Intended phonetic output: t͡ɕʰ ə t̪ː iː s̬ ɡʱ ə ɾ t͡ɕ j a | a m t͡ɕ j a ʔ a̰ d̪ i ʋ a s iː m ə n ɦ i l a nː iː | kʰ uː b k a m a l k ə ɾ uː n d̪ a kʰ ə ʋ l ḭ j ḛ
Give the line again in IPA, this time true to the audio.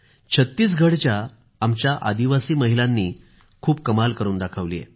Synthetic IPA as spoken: t͡ɕʰ ə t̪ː iː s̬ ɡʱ ə ɽ t͡ɕ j a | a m t͡ɕ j a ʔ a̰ d̪ i ʋ a s iː m ə ɦ i l a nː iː | kʰ uː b k ə m a l k ə ɾ uː n d̪ a kʰ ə ʋ l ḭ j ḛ